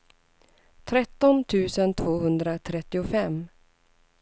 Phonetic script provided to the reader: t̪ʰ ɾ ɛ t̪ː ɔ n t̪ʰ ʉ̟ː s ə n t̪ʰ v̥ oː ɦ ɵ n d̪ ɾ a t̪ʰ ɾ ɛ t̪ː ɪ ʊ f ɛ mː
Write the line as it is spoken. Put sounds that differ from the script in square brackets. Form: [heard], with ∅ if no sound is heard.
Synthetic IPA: t̪ʰ ɾ ɛ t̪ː ɔ n t̪ʰ ʉ̟ː s ə n t̪ʰ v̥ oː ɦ ɵ n d̪ ɾ a t̪ʰ ɾ ɛ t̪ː ɪ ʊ f ɛ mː